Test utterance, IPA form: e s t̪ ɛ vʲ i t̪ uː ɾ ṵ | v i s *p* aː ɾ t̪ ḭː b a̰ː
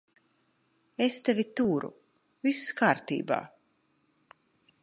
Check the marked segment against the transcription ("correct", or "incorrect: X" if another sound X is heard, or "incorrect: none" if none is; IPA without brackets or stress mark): incorrect: k